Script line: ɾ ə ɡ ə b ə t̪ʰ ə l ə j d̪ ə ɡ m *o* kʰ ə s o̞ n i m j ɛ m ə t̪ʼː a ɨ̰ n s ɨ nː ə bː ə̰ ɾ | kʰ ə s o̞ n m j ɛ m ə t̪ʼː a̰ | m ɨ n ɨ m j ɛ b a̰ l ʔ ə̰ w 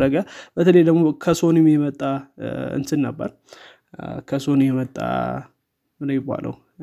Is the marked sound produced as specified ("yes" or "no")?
yes